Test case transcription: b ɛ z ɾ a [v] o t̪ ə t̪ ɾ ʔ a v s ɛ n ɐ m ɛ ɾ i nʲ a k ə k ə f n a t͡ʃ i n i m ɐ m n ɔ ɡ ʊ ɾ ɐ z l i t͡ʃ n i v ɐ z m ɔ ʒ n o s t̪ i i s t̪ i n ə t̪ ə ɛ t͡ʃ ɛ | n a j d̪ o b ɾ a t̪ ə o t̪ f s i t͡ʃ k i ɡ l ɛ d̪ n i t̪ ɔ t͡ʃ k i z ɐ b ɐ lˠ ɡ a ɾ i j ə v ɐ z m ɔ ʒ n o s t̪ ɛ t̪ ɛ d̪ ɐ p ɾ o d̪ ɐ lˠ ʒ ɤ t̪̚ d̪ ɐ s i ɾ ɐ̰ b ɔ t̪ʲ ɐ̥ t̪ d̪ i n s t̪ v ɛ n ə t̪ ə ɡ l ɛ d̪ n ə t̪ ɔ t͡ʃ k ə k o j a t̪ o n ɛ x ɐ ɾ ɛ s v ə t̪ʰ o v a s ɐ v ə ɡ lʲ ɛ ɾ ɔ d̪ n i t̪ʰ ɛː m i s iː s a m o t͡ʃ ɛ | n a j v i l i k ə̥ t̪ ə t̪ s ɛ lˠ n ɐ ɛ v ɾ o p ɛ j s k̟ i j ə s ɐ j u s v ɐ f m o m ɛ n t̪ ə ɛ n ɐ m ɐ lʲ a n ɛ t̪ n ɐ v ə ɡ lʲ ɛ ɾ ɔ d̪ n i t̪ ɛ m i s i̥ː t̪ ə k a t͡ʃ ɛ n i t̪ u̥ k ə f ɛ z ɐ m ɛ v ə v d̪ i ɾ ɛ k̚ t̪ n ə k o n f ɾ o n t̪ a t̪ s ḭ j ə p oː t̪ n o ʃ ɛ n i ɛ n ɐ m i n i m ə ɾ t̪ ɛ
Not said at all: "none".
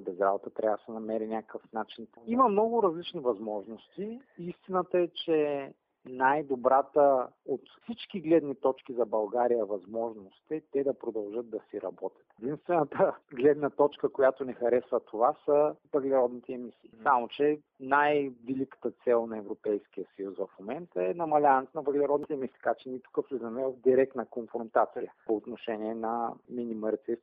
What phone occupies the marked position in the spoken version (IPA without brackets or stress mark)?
b